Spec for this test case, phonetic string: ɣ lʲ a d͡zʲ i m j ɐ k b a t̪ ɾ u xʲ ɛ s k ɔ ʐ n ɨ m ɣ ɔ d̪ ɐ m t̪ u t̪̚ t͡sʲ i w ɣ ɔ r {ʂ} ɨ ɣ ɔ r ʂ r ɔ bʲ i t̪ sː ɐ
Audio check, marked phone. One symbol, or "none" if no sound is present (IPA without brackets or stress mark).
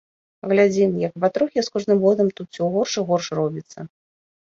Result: ʂ